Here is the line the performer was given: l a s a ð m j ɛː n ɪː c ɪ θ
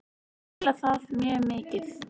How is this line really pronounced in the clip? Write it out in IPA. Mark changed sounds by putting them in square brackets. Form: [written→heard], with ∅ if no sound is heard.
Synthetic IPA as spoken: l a [s→θ] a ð m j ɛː [n→m] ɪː c ɪ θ